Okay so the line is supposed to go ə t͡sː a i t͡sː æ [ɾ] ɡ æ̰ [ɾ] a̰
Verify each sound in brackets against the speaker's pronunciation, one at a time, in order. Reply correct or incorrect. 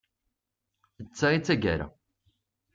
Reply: incorrect, correct

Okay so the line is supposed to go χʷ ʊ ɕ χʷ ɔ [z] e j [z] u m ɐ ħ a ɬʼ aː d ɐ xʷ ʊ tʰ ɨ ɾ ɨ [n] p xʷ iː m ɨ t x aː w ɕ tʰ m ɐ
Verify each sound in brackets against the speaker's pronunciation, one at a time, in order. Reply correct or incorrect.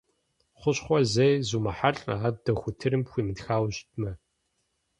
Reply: correct, correct, incorrect

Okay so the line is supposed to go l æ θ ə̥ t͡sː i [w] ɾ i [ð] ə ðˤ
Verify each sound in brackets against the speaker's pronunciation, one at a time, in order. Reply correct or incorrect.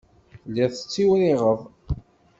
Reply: correct, incorrect

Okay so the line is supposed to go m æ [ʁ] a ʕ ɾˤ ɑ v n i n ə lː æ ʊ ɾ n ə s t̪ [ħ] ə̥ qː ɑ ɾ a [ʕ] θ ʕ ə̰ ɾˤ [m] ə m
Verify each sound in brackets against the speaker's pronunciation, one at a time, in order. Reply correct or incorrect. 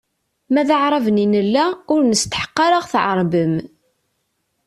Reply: incorrect, correct, incorrect, incorrect

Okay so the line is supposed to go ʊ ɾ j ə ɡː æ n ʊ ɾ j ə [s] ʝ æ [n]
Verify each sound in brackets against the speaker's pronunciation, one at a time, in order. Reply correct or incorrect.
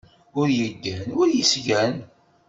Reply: correct, correct

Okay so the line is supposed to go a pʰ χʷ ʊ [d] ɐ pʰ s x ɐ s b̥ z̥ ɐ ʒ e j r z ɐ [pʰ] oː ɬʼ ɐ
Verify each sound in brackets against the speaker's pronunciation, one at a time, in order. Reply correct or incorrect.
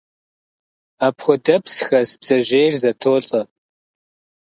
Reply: correct, incorrect

